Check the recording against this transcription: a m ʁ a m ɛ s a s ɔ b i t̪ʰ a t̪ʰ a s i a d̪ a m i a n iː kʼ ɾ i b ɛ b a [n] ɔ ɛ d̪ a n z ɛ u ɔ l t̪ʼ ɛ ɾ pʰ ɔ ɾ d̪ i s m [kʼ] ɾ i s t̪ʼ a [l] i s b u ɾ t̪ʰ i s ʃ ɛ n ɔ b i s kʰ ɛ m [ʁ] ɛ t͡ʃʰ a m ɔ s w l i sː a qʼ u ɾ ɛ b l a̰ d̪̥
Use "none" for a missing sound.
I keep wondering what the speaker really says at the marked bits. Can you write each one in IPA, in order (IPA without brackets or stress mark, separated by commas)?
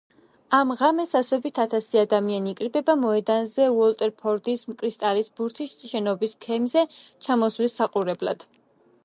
m, kʼ, l, z